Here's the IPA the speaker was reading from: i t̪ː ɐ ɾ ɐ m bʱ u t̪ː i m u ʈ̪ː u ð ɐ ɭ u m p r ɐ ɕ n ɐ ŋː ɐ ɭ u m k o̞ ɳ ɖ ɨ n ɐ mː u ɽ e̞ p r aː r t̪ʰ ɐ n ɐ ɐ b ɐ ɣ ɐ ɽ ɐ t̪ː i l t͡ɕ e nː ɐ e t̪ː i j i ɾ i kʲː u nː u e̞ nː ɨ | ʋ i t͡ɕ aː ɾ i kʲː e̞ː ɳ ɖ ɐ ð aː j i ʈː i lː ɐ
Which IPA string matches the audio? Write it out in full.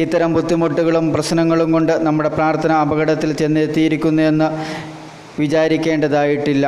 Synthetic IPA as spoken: i t̪ː ɐ ɾ ɐ m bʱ u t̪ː i m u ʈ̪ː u ɣ ɐ ɭ u m p r ɐ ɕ n ɐ ŋː ɐ ɭ u m k o̞ ɳ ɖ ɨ n ɐ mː u ɽ e̞ p r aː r t̪ʰ ɐ n ɐ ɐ b ɐ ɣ ɐ ɽ ɐ t̪ː i l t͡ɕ e nː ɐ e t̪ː i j i ɾ i kʲː u nː u e̞ nː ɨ | ʋ i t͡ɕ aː ɾ i kʲː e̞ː ɳ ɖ ɐ ð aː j i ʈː i lː ɐ